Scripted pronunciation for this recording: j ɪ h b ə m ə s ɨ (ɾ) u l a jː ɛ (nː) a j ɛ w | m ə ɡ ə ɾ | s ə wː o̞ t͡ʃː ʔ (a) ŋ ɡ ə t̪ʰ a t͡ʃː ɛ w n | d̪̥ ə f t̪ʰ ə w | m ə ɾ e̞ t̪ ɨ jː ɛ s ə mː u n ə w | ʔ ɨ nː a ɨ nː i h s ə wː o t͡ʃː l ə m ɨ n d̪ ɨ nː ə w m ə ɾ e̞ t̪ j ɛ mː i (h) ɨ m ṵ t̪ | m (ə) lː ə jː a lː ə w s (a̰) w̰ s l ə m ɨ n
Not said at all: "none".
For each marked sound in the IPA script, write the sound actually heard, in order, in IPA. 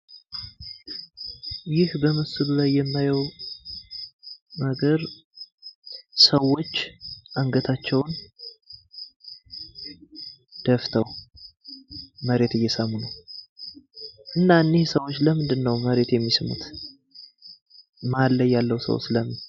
l, mː, a, s, a, ə̰

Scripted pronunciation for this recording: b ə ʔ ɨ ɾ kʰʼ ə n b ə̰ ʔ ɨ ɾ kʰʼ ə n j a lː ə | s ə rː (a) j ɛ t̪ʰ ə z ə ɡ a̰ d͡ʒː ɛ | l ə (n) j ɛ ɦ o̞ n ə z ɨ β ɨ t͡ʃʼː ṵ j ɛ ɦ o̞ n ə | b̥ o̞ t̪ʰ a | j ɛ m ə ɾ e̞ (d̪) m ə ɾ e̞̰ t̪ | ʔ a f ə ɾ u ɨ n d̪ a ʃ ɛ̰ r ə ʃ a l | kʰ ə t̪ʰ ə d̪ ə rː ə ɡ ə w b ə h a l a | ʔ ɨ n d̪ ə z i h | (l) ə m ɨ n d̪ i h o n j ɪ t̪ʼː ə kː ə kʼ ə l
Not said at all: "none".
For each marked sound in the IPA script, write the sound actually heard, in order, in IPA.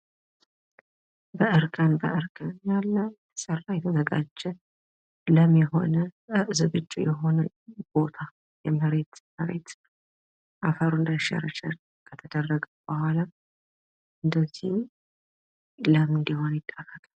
a, m, t̪, l

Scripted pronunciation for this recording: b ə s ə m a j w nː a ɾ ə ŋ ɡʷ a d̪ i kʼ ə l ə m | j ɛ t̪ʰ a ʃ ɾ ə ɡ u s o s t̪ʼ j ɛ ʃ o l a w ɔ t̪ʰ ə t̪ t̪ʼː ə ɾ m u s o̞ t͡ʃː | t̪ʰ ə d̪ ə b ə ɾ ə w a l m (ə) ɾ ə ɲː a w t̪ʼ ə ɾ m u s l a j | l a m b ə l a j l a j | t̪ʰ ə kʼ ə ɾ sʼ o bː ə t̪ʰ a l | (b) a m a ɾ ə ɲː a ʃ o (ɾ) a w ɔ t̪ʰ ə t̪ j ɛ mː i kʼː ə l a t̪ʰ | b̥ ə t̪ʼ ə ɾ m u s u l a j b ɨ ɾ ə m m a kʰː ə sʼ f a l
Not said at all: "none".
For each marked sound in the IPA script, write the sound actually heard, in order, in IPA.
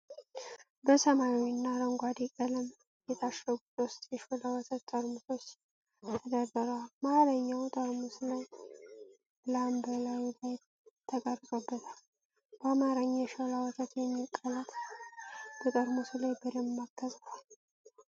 a, b, l

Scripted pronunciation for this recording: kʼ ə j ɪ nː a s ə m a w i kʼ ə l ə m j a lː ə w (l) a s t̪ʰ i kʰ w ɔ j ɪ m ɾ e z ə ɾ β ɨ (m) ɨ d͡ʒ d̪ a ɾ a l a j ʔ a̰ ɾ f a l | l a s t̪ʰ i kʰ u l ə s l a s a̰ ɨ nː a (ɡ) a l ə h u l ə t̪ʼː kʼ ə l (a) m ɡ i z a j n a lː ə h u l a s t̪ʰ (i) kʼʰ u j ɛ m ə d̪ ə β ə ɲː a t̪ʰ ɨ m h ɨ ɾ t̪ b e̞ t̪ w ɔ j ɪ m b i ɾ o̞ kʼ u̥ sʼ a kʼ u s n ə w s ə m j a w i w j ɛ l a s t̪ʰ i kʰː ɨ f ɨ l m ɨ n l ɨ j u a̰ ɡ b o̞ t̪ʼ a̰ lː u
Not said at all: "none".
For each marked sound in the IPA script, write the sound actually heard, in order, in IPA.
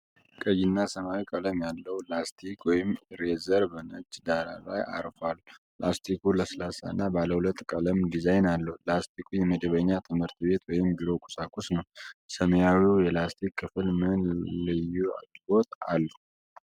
l, n, b, ə, i

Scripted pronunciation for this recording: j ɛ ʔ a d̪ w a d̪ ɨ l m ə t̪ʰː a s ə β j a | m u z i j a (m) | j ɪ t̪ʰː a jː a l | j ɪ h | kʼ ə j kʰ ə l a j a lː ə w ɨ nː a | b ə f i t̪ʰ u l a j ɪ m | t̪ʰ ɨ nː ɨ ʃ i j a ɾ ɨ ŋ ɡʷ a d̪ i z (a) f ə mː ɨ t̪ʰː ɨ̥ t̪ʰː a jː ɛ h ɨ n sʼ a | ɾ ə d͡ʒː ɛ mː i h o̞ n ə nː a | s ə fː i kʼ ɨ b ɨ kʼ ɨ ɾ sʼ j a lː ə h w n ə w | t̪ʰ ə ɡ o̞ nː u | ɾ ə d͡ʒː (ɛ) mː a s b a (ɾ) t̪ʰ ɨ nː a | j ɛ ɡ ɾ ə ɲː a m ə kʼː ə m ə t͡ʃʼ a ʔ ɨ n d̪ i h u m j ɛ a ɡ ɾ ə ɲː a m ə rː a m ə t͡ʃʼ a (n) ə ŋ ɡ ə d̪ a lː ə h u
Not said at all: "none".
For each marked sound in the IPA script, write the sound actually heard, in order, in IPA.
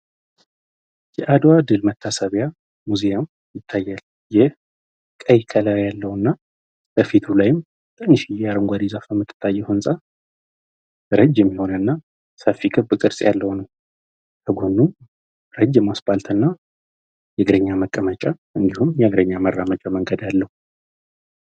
m, a, ɛ, l, m

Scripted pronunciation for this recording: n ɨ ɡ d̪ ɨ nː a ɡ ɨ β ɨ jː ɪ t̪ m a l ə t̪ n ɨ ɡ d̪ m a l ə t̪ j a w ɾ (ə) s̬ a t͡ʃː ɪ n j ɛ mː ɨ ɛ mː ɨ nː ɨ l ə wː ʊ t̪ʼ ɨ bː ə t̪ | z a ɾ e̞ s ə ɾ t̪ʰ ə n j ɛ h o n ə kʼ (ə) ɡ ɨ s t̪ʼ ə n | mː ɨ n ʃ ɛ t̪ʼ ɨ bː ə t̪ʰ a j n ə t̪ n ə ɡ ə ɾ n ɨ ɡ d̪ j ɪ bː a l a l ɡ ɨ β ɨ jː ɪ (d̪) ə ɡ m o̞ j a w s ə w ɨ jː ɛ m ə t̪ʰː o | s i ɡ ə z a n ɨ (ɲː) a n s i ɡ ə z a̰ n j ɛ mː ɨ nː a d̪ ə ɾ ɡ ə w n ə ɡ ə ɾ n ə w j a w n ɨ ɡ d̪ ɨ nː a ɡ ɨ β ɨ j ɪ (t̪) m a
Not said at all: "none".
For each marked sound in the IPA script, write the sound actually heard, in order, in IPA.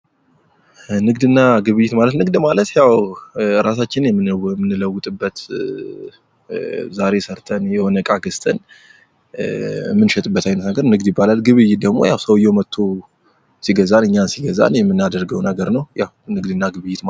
a, a, d̪, ɲː, t̪

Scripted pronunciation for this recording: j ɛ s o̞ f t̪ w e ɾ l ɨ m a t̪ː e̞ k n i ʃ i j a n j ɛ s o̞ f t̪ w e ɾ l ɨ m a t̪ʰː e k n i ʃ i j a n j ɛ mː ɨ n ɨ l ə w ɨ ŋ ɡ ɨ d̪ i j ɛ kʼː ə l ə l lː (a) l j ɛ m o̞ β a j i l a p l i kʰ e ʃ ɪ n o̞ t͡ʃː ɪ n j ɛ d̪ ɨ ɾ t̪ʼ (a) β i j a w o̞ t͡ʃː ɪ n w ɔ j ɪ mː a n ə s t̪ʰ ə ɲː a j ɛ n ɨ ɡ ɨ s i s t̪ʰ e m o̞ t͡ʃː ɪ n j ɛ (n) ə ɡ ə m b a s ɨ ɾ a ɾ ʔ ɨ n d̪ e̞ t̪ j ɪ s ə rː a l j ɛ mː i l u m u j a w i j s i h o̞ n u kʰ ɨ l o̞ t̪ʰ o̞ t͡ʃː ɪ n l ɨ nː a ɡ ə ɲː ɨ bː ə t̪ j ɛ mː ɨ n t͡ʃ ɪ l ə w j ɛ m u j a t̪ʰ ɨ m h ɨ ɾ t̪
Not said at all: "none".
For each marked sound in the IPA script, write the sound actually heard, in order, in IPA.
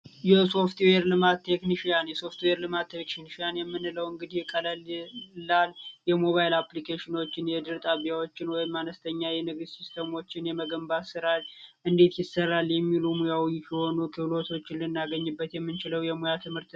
a, a, m

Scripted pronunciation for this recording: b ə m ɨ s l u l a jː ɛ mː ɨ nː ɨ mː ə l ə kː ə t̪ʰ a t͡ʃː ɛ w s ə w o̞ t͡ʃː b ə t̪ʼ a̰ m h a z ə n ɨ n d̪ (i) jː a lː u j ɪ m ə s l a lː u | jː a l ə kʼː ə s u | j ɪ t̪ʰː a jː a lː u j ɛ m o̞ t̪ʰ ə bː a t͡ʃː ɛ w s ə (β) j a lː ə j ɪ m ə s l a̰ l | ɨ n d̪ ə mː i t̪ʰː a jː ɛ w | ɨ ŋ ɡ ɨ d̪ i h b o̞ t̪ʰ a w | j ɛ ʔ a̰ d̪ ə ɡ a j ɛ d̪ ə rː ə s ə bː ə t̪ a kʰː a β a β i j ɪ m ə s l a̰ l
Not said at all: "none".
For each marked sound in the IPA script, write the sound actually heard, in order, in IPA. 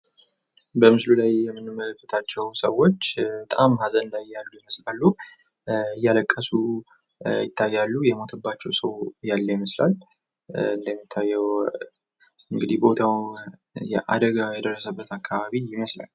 a, w

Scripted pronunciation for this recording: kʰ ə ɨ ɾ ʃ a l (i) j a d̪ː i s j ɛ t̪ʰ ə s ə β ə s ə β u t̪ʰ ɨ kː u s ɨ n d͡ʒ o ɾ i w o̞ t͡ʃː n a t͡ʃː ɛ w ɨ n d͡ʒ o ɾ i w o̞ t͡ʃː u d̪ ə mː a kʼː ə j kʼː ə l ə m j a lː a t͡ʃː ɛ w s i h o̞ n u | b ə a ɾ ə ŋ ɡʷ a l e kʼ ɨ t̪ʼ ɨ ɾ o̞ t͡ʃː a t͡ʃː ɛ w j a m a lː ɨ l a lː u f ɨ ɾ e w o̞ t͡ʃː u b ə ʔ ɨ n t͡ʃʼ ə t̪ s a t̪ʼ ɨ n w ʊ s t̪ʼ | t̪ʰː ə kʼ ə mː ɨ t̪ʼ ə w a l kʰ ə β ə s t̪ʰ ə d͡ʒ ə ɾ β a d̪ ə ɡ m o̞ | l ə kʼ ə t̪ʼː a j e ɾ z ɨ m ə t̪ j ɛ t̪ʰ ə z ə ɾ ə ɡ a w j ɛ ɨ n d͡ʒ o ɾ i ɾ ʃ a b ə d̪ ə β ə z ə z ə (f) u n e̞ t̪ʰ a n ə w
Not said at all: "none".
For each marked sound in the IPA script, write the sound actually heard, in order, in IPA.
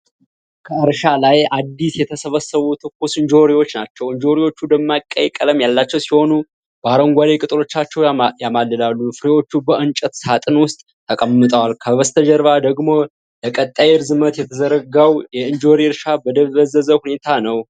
a, h

